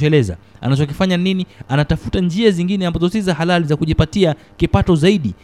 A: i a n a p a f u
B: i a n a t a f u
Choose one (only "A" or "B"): B